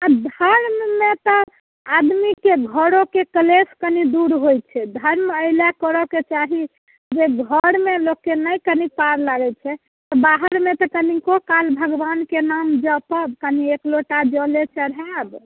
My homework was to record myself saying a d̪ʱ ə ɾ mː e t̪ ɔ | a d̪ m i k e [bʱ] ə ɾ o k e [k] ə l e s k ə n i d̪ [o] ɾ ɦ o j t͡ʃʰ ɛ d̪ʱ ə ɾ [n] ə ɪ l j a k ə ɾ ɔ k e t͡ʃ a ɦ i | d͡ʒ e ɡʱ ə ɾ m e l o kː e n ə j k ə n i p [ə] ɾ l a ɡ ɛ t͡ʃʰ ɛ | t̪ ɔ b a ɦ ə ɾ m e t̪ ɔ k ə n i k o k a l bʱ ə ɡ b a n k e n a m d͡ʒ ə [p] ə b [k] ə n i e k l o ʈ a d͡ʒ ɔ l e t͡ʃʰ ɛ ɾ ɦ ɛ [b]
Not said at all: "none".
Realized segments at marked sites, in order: ɡʱ, k, u, m, a, p, k, b

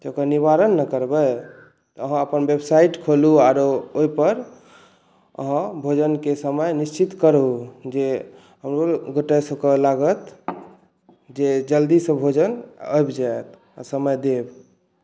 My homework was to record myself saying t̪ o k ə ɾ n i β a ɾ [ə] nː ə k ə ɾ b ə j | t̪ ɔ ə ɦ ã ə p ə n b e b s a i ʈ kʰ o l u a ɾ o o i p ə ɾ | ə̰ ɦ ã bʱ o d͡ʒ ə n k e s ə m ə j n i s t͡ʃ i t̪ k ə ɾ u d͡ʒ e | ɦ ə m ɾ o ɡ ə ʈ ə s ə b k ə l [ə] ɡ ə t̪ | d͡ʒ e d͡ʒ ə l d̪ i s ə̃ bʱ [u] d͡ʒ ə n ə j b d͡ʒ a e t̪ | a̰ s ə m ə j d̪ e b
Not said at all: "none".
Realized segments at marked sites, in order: ə, a, o

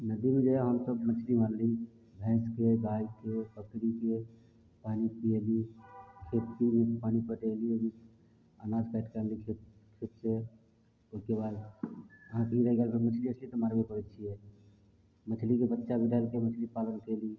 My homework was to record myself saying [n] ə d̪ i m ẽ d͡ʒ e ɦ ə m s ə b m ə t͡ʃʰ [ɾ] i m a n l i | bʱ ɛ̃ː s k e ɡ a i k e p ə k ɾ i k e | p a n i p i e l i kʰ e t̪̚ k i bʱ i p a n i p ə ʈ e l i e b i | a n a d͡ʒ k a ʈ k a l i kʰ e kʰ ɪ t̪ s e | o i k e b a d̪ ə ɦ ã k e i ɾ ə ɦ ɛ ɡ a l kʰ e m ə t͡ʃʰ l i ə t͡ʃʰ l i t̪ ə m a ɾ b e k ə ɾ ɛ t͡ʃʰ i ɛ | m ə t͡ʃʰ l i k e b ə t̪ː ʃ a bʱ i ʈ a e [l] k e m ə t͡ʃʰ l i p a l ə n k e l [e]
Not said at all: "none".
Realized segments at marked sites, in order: n, l, l, i

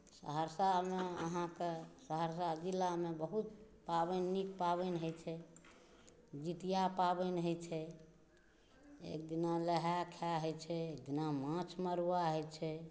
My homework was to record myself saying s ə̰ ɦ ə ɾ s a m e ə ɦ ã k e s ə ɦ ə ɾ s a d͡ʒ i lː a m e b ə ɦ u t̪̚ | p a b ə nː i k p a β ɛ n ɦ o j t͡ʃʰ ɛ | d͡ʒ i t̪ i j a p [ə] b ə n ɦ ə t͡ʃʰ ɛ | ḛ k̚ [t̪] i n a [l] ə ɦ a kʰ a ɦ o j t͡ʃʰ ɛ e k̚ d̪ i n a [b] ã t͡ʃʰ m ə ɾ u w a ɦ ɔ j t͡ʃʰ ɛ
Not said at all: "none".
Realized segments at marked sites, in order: a, d̪, l, m

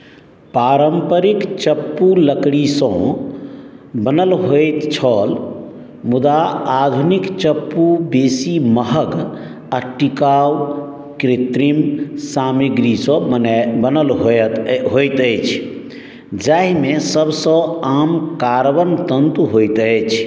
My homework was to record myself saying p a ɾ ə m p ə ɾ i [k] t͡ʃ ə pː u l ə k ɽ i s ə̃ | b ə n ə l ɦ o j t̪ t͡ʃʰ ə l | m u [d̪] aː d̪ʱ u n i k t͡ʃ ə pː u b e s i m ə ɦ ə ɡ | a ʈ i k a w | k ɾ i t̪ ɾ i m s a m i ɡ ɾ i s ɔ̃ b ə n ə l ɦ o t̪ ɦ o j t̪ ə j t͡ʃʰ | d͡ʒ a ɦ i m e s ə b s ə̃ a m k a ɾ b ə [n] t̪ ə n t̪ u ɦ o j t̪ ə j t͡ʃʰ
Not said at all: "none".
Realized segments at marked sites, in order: k, d̪, n

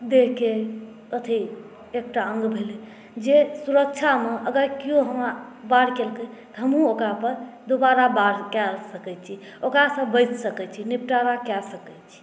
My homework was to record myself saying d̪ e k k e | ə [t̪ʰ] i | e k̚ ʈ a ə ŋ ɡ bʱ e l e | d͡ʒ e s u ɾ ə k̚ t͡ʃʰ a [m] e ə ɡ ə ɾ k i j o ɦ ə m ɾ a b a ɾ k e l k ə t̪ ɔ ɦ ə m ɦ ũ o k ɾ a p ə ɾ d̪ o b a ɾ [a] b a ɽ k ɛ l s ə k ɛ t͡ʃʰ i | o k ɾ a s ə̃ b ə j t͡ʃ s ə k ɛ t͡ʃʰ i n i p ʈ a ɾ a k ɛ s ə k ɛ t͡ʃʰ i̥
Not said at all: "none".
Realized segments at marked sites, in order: t̪ʰ, m, a

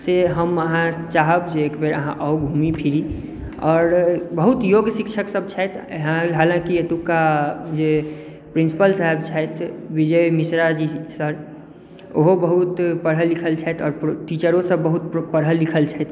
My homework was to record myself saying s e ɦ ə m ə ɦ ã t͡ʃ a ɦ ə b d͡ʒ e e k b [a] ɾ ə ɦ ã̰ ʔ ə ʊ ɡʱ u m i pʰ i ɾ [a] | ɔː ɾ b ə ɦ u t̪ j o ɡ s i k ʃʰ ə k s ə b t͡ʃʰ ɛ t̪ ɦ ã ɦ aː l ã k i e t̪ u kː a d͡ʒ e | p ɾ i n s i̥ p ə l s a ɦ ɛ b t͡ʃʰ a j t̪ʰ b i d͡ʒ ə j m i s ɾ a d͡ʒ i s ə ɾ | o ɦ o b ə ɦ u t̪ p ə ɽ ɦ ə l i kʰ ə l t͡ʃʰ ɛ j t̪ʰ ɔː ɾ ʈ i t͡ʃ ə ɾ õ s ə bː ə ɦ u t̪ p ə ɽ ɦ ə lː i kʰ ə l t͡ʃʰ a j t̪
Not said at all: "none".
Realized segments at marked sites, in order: e, i

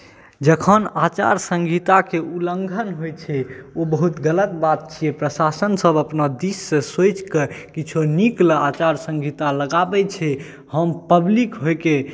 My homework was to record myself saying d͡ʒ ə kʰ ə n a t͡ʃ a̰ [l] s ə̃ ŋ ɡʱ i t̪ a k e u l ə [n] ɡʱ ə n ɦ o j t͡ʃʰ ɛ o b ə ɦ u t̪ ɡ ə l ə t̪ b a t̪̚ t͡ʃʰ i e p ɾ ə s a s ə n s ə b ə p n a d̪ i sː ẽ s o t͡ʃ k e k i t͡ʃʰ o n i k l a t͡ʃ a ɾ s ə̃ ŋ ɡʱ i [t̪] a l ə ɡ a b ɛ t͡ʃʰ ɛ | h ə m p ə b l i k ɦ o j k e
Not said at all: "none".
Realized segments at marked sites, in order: ɾ, ŋ, t̪

